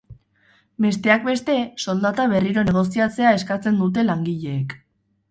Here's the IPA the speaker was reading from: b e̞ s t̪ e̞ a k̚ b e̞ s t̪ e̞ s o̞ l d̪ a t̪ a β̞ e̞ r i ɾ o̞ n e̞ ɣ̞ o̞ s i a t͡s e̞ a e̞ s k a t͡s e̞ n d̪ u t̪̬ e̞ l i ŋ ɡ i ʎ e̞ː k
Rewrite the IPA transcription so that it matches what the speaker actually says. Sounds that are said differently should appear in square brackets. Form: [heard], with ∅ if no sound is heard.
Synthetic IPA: b e̞ s t̪ e̞ a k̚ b e̞ s t̪ e̞ s o̞ l d̪ a t̪ a β̞ e̞ r i ɾ o̞ n e̞ ɣ̞ o̞ s i a t͡s e̞ a e̞ s k a t͡s e̞ n d̪ u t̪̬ e̞ l [a] ŋ ɡ i ʎ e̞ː k